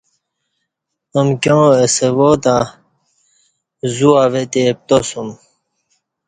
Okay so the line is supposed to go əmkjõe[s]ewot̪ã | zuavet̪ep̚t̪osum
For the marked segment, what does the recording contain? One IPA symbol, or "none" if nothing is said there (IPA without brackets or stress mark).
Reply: s